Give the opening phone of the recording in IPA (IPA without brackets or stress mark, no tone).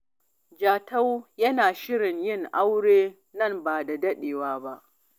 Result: d͡ʒ